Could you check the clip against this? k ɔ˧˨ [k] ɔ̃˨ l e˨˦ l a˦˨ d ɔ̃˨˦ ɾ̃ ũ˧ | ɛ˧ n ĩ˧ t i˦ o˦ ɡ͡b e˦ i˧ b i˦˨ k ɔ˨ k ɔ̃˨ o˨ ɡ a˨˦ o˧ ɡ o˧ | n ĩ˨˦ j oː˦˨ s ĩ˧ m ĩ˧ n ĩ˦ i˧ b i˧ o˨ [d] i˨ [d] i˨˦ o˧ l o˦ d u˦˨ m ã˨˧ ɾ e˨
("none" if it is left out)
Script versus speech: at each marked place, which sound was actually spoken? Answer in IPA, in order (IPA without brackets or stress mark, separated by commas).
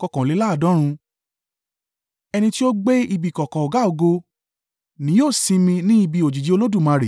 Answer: k, d͡ʒ, d͡ʒ